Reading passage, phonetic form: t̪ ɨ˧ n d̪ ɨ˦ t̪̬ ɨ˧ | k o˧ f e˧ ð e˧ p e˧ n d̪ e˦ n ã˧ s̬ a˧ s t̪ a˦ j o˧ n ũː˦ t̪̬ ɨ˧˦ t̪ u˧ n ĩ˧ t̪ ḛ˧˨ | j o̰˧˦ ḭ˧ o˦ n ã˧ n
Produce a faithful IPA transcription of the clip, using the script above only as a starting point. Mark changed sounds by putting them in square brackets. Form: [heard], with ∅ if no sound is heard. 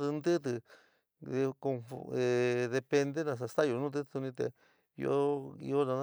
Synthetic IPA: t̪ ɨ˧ n d̪ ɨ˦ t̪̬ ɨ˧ | k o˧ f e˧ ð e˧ p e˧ n d̪ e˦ n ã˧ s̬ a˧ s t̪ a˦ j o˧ n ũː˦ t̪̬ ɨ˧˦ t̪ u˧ n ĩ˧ t̪ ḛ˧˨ | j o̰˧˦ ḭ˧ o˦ n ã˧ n